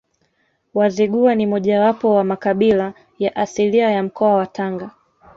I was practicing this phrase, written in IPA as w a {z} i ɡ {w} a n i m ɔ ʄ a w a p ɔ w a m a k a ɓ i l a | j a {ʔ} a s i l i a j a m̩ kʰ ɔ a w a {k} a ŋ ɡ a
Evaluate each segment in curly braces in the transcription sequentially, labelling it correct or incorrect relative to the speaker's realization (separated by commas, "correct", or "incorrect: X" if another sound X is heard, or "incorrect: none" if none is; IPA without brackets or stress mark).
correct, incorrect: u, correct, incorrect: t